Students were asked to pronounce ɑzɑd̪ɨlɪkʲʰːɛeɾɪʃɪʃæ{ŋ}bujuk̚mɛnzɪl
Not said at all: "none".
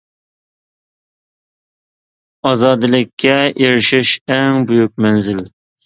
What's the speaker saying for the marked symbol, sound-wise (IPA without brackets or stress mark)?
ŋ